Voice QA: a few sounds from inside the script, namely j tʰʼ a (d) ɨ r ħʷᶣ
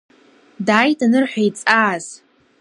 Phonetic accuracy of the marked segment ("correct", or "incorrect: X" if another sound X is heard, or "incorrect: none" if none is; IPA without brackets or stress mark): incorrect: n